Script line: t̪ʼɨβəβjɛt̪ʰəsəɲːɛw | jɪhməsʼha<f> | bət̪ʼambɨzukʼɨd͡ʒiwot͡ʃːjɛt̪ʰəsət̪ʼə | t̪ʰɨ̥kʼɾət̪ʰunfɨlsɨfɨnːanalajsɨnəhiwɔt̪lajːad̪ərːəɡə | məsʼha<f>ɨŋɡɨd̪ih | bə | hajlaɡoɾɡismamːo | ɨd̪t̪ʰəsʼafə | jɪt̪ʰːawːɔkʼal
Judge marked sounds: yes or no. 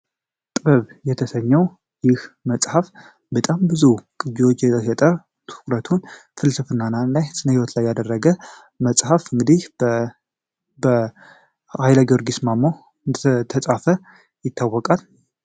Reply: yes, yes

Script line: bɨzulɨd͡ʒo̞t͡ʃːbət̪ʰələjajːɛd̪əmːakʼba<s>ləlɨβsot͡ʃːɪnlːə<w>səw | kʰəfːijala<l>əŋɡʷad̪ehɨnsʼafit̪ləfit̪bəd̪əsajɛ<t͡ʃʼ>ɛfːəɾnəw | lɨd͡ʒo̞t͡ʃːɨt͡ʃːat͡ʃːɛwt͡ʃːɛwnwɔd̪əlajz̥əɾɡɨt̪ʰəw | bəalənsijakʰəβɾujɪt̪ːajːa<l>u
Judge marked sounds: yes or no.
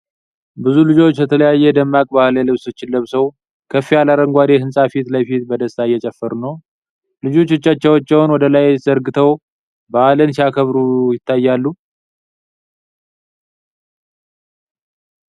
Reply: no, no, no, yes, no

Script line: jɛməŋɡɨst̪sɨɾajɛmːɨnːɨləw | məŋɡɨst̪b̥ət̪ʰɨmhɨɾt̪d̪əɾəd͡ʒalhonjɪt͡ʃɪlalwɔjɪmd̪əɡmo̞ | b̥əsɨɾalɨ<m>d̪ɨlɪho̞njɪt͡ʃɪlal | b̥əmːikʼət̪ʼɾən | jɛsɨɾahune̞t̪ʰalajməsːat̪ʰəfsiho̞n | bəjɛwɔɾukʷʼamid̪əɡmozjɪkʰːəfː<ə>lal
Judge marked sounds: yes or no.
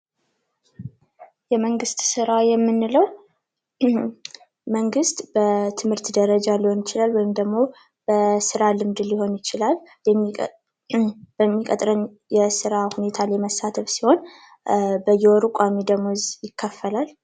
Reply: yes, yes

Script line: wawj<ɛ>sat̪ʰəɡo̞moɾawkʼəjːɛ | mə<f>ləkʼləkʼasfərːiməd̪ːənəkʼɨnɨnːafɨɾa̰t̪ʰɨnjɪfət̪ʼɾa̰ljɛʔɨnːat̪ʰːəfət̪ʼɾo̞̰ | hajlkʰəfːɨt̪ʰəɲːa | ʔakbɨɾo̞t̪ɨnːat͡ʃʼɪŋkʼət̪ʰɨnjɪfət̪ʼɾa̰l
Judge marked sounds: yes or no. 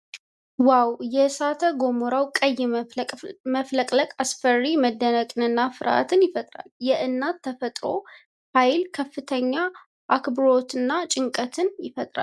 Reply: yes, yes

